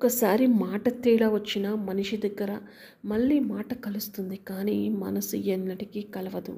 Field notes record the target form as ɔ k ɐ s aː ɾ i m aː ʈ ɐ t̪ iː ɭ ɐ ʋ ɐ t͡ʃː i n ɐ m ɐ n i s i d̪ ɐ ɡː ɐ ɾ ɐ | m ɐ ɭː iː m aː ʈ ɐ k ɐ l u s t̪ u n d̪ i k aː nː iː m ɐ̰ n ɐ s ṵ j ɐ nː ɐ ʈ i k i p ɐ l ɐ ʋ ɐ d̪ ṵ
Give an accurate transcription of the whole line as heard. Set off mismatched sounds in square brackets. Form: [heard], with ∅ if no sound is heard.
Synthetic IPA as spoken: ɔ k ɐ s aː ɾ i m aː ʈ ɐ t̪ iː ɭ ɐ ʋ ɐ t͡ʃː i n ɐ m ɐ n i [ʂ] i d̪ ɐ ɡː ɐ ɾ ɐ | m ɐ ɭː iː m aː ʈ ɐ k ɐ l u s t̪ u n d̪ i k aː [n] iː m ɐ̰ n ɐ s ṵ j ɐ nː ɐ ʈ i k i [k] ɐ l ɐ ʋ ɐ d̪ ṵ